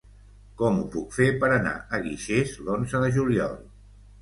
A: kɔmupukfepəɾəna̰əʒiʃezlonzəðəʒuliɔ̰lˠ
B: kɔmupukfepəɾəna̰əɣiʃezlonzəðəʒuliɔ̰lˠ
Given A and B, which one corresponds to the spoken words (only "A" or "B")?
B